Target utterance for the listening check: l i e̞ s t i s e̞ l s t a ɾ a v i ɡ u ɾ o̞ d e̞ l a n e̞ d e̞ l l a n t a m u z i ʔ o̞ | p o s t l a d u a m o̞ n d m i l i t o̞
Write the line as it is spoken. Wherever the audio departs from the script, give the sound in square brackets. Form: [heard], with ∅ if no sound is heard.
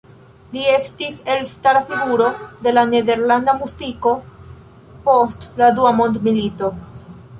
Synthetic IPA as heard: l i e̞ s t i s e̞ l s t a ɾ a [f] i ɡ u ɾ o̞ d e̞ l a n e̞ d e̞ [ɾ] l a n [d] a m u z i [k] o̞ | p o s t l a d u a m o̞ n d m i l i t o̞